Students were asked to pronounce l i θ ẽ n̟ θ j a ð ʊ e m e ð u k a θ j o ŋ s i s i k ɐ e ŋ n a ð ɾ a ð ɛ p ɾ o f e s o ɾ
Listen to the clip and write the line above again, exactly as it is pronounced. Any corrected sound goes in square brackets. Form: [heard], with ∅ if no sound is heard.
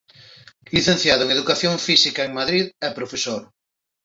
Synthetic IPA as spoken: l i θ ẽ n̟ θ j a ð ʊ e [ŋ] e ð u k a θ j o ŋ [f] i s i k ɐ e ŋ [m] a ð ɾ [i] ð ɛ p ɾ o f e s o ɾ